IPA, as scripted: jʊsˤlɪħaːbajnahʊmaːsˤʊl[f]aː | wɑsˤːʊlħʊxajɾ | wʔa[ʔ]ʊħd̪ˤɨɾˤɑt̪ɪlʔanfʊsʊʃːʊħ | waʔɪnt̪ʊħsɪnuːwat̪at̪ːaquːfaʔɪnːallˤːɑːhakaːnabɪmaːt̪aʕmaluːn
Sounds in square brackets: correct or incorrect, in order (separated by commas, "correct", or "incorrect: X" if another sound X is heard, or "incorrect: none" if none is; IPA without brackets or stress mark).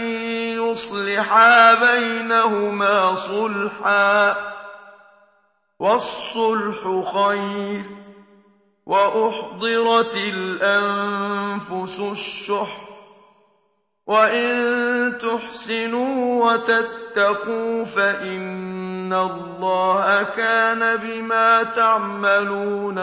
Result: incorrect: ħ, correct